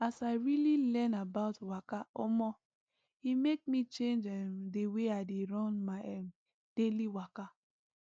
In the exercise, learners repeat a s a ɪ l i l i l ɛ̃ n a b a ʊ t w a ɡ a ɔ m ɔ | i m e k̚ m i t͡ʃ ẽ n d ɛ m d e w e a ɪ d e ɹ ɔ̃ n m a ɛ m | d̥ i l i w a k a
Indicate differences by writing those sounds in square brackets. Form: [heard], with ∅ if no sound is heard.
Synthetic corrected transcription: a s a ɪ [ɹ] i l i l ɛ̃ n a b a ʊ t w a [k] a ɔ m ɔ | i m e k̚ m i t͡ʃ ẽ n [d͡ʒ] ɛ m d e w e a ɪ d e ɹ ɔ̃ n m a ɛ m | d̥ [e] l i w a k a